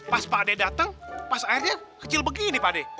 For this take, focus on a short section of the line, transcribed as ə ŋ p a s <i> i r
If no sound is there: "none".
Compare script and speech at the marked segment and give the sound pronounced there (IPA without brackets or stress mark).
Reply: a